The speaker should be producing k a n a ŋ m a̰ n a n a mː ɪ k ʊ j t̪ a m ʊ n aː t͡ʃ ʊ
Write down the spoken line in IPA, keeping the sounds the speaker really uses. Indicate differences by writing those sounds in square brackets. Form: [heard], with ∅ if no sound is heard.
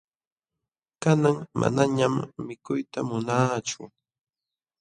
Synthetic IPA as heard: k a n a ŋ m a̰ n a [ɲ] a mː ɪ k ʊ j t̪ a m ʊ n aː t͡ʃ ʊ

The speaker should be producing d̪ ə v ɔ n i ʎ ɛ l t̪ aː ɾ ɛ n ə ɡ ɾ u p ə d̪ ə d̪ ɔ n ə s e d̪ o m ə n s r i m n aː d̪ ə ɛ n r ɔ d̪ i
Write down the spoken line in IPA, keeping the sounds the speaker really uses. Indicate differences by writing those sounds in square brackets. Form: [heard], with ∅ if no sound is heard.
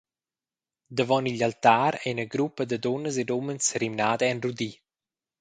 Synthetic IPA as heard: d̪ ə v ɔ n i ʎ [a] l t̪ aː ɾ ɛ n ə ɡ ɾ u p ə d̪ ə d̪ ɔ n ə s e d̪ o m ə n s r i m n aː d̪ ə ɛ n r [u] d̪ i

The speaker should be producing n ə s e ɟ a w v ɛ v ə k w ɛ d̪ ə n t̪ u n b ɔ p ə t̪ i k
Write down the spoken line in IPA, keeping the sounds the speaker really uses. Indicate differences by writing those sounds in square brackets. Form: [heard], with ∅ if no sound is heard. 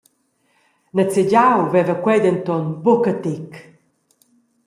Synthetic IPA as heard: n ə [t͡s] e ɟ a w v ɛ v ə k w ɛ d̪ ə n t̪ [ɔ] n b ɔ [k] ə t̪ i k

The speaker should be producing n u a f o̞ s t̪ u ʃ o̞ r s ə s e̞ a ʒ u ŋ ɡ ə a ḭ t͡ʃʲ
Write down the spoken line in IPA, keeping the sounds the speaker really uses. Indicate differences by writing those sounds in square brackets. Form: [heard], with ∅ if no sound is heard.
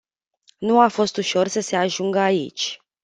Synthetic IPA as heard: n u a f o̞ s t̪ u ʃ o̞ r s ə s e̞ a ʒ u ŋ ɡ ə a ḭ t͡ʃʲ

